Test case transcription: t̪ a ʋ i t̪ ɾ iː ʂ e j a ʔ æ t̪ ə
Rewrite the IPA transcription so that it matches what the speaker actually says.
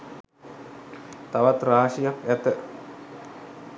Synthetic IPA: t̪ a ʋ a t̪ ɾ aː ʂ i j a k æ t̪ ə